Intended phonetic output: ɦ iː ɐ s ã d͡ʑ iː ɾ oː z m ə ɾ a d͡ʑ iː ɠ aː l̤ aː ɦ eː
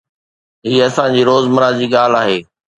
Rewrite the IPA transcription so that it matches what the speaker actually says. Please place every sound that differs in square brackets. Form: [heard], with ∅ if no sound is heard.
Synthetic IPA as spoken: ɦ iː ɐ s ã d͡ʑ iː ɾ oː z m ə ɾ a d͡ʑ iː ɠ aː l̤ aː ɦ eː